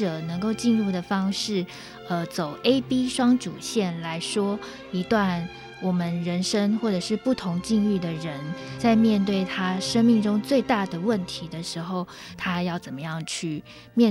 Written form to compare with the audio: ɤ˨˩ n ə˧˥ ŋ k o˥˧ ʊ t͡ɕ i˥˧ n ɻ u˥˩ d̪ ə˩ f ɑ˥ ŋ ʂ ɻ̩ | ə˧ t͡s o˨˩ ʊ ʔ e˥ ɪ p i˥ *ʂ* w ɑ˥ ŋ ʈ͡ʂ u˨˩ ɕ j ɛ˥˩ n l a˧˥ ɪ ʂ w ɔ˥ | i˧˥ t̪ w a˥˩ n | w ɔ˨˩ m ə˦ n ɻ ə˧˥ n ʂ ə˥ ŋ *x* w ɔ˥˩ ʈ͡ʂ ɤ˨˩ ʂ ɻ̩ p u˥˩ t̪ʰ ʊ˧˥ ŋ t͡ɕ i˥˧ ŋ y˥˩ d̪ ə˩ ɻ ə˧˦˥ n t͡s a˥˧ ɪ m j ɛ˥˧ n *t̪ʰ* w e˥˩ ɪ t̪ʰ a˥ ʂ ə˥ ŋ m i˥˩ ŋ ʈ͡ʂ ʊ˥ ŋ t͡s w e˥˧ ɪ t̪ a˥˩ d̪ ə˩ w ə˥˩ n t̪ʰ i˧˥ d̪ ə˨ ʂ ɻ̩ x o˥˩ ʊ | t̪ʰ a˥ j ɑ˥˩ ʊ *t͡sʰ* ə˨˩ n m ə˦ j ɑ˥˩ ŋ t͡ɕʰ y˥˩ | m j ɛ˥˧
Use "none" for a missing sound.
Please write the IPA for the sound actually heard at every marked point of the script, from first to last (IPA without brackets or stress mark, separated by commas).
ʂ, x, t̪, t͡s